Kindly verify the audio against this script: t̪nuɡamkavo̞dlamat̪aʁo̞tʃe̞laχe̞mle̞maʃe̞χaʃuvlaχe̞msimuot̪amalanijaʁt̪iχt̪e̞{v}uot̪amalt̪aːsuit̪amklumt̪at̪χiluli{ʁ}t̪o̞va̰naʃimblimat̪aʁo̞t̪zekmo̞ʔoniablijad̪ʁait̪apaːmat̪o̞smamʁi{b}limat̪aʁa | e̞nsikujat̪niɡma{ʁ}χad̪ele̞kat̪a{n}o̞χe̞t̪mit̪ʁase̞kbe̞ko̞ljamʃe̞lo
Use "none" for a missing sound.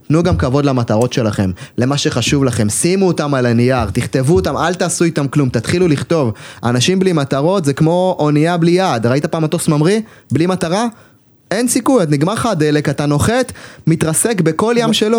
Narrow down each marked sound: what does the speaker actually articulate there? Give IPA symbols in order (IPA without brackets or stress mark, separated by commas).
v, χ, b, ʁ, n